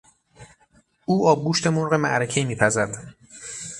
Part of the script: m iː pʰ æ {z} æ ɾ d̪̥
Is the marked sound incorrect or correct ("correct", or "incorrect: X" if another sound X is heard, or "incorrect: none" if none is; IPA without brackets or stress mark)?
correct